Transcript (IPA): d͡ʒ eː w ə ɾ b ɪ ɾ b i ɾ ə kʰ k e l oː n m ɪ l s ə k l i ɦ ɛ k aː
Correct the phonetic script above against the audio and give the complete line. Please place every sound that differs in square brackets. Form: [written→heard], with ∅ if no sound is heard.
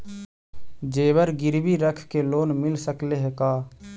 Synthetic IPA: d͡ʒ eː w ə ɾ [b→ɡ] ɪ ɾ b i ɾ ə kʰ k e l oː n m ɪ l s ə k l [i→e] ɦ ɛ k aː